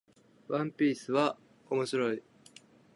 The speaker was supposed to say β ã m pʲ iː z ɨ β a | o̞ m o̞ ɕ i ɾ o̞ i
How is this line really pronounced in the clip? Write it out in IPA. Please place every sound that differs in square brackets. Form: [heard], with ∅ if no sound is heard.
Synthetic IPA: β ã m pʲ iː [s] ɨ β a | o̞ m o̞ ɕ i ɾ o̞ i